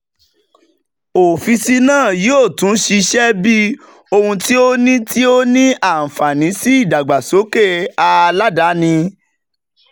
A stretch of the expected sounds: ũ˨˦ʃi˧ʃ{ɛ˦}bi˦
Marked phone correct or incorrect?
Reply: correct